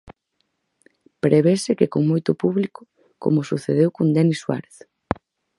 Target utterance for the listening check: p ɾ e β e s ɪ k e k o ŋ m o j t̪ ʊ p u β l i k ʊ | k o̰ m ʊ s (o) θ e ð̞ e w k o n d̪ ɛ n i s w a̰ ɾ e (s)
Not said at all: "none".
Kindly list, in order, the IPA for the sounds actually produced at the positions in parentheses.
u, θ

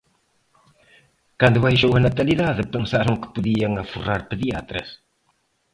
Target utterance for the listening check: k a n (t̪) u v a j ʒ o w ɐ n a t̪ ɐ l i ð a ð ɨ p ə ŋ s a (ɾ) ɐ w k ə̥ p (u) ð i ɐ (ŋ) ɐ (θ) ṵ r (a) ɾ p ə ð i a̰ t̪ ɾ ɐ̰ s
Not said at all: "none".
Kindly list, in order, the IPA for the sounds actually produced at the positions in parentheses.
d̪, ɾ, u, ŋ, f, a

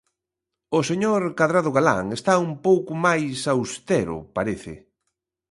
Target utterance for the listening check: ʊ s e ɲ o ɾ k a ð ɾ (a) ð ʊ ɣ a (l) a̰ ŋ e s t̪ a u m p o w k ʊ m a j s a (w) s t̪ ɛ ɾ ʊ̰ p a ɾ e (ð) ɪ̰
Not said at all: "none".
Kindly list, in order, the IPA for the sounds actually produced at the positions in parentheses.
a, l, w, θ

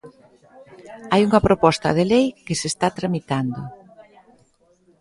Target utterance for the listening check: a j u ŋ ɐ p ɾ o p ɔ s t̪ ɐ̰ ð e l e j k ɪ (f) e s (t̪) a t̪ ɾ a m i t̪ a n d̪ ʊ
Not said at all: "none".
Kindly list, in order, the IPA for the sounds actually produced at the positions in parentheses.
s, t̪

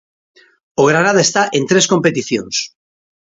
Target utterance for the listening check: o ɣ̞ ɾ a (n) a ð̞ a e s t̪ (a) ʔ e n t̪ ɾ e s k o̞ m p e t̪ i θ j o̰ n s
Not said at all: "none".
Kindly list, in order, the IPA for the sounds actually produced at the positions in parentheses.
n, a

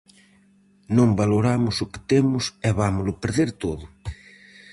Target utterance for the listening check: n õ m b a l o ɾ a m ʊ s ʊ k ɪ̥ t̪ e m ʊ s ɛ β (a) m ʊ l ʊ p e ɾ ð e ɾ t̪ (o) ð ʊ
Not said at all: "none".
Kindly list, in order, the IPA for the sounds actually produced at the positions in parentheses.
a, o

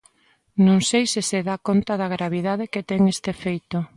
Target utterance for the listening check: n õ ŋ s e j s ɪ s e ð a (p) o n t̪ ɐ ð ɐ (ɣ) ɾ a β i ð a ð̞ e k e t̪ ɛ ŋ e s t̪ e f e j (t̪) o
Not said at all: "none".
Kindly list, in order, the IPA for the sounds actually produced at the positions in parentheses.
k, ɣ, t̪

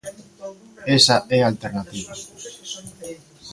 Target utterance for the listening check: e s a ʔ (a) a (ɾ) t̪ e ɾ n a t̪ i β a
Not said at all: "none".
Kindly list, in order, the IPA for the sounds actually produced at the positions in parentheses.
ɛ, l

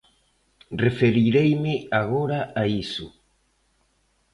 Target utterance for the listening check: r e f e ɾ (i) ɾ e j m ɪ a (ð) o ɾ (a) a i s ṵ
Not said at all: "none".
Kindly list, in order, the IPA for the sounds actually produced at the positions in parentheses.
i, ɣ, a

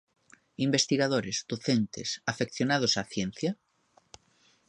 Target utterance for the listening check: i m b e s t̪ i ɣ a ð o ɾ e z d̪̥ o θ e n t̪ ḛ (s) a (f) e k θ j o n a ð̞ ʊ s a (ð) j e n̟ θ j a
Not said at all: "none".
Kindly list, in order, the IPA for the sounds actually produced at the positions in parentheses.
s, f, θ

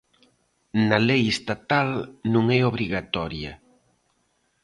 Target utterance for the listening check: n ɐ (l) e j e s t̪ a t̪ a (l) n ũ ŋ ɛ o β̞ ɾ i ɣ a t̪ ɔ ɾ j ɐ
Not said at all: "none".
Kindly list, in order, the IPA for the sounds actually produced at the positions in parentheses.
l, l

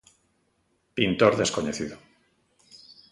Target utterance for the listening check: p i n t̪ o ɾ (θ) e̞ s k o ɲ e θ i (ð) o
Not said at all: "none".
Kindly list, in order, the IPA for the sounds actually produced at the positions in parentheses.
ð, ð

